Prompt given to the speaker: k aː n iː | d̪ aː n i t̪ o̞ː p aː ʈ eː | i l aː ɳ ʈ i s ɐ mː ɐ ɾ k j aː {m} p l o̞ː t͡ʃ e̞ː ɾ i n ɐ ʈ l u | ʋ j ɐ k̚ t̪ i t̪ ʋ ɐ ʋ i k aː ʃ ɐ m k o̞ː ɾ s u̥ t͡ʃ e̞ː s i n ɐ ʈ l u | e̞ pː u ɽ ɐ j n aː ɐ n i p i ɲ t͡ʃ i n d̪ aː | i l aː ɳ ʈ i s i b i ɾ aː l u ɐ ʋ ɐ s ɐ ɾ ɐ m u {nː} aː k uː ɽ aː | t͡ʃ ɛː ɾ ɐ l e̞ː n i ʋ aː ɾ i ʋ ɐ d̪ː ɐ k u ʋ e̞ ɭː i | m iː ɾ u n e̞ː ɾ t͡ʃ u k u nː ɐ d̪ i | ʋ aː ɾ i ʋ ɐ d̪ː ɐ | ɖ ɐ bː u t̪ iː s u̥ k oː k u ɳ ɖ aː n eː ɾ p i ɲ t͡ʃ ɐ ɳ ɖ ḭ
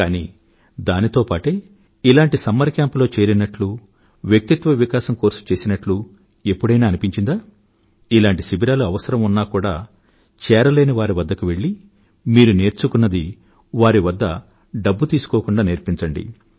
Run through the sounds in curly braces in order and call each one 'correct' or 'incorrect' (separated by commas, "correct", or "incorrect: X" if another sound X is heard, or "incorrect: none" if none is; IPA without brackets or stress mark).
correct, correct